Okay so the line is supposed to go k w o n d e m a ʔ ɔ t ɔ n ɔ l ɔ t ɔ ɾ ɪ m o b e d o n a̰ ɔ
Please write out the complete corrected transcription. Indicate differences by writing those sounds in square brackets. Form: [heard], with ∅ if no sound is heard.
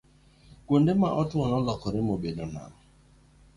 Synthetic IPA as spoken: k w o n d e m a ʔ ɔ t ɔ n ɔ l ɔ [k] ɔ ɾ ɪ m o b e d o n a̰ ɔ